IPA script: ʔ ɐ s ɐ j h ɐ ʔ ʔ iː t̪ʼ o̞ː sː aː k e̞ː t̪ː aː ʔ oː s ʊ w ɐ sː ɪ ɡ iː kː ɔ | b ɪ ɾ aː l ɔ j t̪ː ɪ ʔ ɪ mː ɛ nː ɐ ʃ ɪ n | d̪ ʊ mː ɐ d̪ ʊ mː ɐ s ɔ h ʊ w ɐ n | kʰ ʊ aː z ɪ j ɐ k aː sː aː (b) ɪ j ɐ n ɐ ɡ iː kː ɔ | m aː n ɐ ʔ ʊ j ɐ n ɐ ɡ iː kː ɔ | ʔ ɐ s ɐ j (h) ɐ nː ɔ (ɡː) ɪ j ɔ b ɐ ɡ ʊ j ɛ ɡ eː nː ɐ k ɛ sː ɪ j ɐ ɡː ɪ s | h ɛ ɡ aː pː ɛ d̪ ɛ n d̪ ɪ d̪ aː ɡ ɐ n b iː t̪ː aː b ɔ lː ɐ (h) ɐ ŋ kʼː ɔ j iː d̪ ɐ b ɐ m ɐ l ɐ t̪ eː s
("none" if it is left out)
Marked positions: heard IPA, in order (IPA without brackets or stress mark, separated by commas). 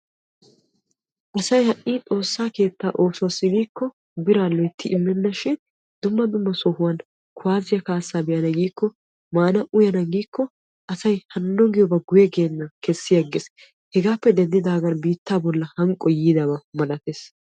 b, h, ɡ, h